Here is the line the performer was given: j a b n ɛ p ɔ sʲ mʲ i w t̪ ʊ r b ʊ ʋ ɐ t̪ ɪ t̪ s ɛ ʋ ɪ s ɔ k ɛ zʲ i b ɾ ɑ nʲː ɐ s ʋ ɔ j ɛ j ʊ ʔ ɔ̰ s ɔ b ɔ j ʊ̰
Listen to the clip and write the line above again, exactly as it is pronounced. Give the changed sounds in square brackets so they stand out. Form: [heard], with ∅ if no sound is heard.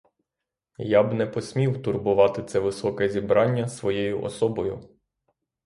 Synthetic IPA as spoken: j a b n ɛ p ɔ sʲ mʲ i w t̪ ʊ r b ʊ ʋ [ɑ] t̪ ɪ t̪ s ɛ ʋ ɪ s ɔ k ɛ zʲ i b ɾ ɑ nʲː ɐ s ʋ ɔ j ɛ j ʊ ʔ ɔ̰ s ɔ b ɔ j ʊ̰